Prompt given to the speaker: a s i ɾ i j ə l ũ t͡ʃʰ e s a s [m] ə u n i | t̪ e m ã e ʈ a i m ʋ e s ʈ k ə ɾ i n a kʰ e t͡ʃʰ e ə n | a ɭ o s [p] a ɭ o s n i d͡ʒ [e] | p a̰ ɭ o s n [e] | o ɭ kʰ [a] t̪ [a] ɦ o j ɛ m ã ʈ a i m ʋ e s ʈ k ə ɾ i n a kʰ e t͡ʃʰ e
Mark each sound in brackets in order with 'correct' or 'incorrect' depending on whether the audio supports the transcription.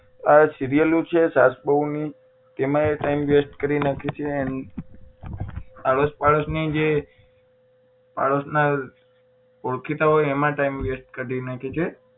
incorrect, correct, correct, incorrect, incorrect, correct

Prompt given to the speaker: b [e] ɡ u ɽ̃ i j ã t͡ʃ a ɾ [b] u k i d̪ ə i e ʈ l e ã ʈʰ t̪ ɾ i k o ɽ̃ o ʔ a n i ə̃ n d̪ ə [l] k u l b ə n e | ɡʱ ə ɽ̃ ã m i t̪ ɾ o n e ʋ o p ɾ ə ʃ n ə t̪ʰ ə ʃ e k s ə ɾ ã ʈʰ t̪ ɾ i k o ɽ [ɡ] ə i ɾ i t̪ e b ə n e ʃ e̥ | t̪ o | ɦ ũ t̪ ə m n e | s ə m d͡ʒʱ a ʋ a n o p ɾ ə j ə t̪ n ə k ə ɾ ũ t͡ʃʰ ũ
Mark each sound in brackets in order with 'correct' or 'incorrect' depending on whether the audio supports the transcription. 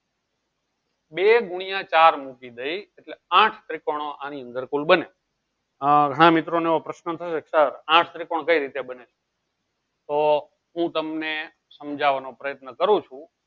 correct, incorrect, incorrect, incorrect

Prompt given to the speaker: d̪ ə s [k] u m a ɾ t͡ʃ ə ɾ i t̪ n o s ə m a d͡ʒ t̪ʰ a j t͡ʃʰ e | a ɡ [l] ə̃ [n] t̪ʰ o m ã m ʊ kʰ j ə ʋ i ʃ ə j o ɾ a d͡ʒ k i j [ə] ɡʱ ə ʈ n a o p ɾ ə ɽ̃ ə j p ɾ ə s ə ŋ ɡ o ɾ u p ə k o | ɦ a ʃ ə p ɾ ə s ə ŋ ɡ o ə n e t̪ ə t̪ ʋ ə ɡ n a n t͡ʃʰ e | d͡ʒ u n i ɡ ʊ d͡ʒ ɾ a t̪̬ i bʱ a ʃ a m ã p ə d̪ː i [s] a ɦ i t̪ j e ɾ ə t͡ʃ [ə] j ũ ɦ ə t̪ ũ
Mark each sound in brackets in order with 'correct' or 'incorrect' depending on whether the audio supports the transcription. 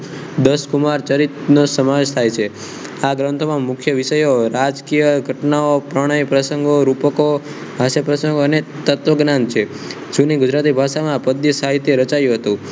correct, incorrect, correct, correct, correct, incorrect

